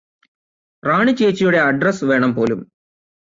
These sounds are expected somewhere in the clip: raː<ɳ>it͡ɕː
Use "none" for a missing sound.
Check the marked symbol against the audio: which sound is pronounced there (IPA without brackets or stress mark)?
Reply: ɳ